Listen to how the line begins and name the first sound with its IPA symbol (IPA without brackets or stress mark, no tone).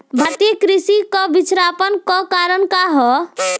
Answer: bʱ